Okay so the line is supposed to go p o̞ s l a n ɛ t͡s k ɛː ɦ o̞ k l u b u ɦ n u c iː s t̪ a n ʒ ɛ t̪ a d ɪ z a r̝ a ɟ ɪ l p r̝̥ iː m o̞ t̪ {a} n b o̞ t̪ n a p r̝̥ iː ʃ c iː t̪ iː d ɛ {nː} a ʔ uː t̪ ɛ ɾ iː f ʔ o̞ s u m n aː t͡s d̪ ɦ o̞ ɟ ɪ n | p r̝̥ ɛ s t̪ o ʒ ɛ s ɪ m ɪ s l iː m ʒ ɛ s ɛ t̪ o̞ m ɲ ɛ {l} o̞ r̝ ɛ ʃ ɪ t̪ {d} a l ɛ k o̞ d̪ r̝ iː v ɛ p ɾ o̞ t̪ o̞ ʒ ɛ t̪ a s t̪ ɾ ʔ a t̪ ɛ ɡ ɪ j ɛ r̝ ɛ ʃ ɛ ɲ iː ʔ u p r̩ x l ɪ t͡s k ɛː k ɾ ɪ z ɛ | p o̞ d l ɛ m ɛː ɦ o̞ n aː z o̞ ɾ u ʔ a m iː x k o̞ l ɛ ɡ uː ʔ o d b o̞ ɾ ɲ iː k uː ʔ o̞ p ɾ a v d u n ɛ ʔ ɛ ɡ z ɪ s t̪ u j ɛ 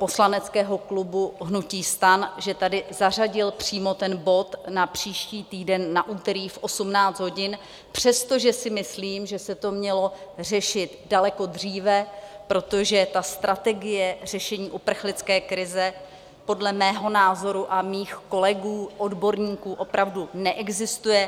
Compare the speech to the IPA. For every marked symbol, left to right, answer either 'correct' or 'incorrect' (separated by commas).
incorrect, correct, correct, correct